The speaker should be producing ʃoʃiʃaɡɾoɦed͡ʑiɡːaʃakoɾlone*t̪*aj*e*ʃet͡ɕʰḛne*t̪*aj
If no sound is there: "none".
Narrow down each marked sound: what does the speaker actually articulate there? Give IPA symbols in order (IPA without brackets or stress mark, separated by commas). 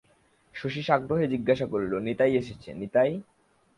t̪, e, t̪